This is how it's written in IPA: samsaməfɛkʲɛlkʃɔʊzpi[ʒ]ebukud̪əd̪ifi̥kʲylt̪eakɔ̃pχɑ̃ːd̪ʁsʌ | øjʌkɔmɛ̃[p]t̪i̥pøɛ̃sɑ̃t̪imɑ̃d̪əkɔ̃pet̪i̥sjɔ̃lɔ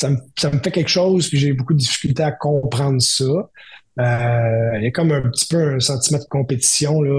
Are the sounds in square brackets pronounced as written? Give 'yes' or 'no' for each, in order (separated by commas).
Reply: yes, yes